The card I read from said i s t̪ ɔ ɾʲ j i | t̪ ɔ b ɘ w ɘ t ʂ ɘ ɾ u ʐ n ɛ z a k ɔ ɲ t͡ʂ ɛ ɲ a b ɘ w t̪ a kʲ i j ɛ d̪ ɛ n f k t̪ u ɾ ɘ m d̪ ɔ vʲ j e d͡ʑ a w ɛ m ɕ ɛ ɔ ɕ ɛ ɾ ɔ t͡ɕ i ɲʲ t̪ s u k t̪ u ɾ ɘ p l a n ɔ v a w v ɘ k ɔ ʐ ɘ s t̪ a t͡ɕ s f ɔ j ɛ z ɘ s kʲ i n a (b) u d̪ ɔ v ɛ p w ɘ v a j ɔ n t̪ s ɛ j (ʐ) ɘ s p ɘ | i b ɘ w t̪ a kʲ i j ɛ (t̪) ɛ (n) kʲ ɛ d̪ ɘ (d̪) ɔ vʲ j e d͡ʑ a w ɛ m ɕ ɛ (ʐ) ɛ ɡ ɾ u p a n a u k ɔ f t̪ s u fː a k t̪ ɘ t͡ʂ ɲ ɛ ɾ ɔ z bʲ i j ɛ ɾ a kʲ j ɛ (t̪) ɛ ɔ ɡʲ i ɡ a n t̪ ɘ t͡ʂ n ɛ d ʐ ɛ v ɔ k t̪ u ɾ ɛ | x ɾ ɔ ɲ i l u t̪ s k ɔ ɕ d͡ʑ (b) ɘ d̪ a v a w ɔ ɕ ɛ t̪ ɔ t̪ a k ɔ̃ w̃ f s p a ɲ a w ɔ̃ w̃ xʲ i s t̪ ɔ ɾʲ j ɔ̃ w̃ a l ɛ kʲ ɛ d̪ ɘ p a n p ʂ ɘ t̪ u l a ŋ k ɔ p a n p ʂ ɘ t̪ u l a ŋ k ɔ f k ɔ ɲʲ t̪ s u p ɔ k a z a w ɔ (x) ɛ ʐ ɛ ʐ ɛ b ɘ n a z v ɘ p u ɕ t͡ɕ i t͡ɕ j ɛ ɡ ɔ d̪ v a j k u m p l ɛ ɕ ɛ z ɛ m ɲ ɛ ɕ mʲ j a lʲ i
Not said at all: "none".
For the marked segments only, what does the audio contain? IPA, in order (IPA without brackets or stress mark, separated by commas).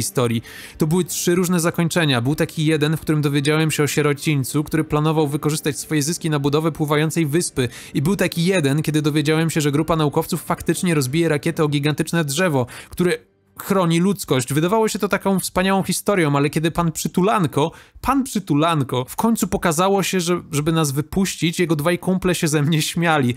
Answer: b, v, d̪, n, d̪, ʐ, t̪, v, ɕ